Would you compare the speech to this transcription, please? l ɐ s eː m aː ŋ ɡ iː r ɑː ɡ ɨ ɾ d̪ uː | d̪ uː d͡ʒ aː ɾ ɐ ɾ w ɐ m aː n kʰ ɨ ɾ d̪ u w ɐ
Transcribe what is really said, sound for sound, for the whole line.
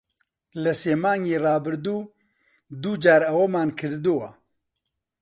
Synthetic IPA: l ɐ s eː m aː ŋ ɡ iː r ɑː b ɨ ɾ d̪ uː | d̪ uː d͡ʒ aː ɾ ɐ w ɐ m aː n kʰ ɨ ɾ d̪ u w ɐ